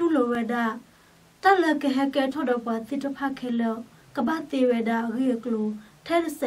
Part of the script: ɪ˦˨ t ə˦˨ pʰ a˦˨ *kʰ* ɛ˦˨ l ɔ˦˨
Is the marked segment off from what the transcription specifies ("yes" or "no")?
no